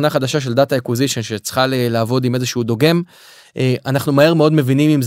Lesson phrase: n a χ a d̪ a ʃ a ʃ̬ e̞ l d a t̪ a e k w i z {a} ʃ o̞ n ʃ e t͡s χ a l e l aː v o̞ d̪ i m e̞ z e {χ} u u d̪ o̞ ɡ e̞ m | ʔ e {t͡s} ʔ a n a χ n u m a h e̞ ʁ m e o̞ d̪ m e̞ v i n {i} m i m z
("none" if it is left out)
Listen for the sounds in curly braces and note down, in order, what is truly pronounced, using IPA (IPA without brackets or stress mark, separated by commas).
i, ʃ, none, i